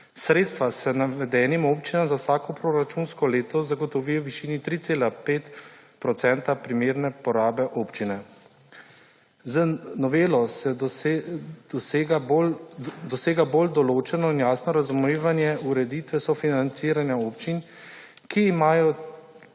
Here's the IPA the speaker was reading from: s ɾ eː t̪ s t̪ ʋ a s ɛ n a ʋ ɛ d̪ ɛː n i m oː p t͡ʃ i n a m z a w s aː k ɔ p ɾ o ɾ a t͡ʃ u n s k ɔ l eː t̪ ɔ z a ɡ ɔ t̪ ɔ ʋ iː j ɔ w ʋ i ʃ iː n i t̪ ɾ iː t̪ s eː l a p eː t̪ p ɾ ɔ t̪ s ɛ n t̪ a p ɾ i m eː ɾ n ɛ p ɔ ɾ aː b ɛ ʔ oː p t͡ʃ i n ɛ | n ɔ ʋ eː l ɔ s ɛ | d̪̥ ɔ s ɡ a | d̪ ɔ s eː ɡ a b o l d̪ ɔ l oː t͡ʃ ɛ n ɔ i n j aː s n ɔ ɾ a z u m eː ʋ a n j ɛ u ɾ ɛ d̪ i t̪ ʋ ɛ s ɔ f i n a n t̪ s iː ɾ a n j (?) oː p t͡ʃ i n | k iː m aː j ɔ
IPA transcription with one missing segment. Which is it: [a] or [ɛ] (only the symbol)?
a